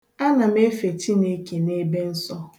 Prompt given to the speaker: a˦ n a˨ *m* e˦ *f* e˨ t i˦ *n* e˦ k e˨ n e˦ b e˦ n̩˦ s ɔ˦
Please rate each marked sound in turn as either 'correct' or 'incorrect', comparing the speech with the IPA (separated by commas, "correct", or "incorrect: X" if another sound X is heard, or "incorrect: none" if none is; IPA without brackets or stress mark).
correct, correct, correct